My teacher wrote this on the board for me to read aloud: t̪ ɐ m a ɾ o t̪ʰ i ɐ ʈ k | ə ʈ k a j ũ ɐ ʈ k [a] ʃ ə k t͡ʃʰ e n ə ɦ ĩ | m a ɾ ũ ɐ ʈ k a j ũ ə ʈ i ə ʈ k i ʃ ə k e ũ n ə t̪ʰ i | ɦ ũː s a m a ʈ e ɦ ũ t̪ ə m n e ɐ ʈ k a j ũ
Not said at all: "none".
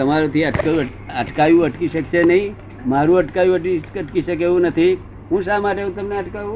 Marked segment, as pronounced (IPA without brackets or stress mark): i